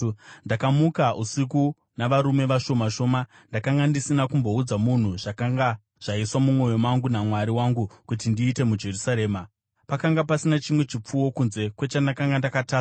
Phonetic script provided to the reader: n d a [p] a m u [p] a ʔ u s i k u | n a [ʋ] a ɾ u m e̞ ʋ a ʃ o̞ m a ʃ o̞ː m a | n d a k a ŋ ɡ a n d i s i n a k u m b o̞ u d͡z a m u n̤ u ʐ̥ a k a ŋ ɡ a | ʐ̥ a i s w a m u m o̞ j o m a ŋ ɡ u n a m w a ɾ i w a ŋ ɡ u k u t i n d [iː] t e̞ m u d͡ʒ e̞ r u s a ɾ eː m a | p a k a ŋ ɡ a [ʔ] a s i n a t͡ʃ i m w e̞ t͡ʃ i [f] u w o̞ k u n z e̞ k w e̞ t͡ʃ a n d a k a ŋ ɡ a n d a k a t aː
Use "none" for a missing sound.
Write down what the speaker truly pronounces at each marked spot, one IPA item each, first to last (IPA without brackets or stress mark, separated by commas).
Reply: k, k, ʋ, iː, p, p͡f